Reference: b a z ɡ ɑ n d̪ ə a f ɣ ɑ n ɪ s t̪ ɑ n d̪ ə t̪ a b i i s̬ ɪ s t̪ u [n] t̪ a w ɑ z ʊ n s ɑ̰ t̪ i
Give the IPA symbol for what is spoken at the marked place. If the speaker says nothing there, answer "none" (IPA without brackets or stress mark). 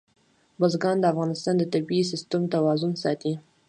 m